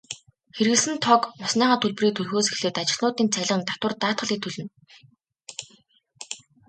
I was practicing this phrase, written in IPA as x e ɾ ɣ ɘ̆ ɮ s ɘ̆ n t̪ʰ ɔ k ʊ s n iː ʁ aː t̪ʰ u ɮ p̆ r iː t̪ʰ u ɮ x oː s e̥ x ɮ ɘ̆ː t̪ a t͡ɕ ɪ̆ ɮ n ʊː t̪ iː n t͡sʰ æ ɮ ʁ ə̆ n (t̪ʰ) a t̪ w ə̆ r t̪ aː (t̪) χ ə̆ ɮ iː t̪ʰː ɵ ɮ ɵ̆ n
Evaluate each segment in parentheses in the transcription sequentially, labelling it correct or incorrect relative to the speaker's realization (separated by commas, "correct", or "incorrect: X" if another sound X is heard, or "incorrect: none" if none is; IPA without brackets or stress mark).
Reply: incorrect: t̪, correct